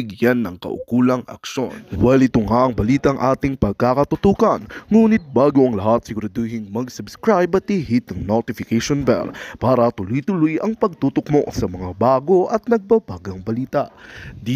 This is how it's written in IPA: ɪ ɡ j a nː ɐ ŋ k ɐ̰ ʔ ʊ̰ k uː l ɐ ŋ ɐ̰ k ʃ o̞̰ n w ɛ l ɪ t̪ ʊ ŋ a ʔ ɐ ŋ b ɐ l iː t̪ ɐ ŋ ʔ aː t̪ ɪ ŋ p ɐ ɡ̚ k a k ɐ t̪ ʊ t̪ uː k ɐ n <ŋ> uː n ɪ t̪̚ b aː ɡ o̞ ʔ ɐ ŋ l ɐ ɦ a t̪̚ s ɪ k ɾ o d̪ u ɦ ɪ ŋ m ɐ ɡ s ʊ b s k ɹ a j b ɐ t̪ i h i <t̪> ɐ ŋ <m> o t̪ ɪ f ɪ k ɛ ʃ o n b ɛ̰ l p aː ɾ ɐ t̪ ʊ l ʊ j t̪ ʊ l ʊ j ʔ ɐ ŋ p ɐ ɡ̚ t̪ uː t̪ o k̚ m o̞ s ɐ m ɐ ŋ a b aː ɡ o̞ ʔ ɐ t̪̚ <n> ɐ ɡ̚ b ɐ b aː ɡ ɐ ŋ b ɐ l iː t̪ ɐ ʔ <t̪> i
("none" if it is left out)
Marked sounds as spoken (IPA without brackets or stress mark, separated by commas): ŋ, t̪, n, n, d̪